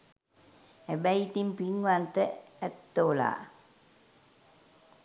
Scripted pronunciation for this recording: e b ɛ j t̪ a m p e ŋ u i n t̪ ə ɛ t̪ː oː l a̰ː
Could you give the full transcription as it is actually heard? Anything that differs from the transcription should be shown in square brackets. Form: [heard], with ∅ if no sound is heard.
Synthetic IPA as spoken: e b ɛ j t̪ [i] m p [i] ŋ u [a] n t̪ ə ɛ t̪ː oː l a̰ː